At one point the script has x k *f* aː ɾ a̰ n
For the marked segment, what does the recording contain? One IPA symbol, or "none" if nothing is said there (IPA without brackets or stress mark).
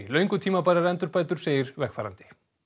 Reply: f